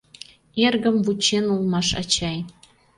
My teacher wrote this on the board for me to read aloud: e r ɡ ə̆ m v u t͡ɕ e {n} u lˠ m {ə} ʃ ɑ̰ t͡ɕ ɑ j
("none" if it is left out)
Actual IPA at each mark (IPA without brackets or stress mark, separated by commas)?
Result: n, ɑ